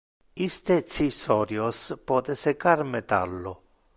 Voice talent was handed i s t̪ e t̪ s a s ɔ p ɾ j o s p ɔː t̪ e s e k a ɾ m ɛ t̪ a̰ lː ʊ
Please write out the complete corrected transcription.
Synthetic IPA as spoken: i s t̪ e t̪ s i s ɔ ɾ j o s p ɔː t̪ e s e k a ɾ m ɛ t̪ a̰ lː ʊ